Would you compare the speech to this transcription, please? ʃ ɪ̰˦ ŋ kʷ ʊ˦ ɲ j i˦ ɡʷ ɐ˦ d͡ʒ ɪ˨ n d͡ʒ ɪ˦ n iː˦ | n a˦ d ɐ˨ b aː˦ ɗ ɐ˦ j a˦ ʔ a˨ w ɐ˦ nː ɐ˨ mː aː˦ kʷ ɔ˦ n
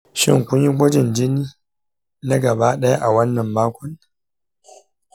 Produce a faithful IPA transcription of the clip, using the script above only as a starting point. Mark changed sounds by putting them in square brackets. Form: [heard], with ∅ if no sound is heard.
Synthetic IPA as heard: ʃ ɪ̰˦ ŋ kʷ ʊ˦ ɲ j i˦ ɡʷ ɐ˦ d͡ʒ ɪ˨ n d͡ʒ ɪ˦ n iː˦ | n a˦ [ɡ] ɐ˨ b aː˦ ɗ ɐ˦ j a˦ ʔ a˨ w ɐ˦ nː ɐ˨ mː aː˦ kʷ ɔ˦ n